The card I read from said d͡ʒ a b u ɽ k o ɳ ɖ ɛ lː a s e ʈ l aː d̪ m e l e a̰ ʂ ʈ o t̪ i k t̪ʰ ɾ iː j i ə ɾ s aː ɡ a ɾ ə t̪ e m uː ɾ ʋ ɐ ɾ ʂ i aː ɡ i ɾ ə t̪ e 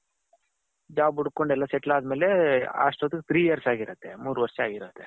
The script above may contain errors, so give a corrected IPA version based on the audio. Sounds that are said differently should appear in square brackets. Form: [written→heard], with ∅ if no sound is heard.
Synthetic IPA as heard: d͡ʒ a b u ɽ k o ɳ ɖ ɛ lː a s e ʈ l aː d̪ m e l e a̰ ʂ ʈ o t̪ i k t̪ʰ ɾ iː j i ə ɾ s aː ɡ [a→i] ɾ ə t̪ e m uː ɾ ʋ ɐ ɾ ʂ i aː ɡ i ɾ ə t̪ e